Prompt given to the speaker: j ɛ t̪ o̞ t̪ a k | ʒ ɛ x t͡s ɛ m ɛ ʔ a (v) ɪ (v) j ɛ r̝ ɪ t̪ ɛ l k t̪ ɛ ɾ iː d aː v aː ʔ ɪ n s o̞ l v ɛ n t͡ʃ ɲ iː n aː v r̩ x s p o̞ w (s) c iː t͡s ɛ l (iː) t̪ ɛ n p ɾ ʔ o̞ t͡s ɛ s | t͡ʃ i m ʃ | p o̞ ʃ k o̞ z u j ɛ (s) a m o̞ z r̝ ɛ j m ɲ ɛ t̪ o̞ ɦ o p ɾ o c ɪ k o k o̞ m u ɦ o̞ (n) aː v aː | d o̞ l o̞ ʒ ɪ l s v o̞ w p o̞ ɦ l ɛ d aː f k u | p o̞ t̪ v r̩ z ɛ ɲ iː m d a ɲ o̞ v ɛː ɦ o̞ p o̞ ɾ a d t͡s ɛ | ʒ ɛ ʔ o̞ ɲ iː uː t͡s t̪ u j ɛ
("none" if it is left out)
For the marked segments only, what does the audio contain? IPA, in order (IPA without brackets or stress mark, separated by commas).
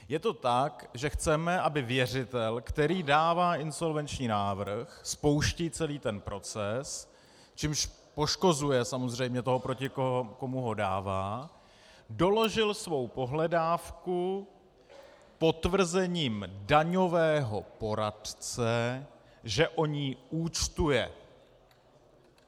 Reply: b, v, ʃ, iː, s, d